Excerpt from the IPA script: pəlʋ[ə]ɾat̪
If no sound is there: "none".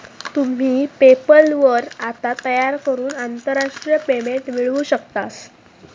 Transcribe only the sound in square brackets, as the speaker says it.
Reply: ə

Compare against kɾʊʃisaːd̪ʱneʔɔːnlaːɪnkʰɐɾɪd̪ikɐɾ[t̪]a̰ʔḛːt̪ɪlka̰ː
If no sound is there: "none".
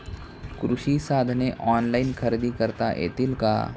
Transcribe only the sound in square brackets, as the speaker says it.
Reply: t̪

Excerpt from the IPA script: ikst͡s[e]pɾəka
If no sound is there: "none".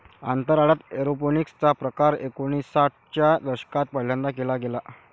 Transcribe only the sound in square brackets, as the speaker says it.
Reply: a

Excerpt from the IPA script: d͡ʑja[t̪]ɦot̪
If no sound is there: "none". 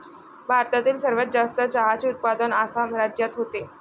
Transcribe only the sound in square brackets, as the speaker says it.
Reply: t̪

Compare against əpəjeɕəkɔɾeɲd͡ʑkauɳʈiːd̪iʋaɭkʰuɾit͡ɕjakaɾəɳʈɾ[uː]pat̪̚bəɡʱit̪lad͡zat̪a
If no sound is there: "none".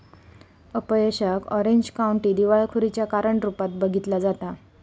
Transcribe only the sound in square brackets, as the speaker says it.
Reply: u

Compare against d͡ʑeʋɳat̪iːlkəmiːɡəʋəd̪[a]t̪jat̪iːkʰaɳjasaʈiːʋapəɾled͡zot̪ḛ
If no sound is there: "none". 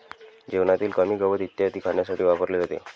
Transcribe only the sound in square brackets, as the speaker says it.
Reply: i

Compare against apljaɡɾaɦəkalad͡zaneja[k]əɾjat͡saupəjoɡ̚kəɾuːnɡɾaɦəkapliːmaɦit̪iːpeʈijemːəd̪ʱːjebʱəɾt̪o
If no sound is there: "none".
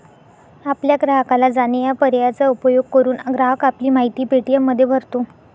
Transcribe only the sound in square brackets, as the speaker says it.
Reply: p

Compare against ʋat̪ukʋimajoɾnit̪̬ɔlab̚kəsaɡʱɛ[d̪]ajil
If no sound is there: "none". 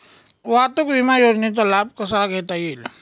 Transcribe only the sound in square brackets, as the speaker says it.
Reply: t̪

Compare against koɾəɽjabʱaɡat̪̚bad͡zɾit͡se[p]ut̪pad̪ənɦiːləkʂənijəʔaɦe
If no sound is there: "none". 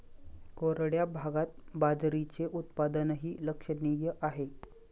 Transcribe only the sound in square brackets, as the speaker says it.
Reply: ʔ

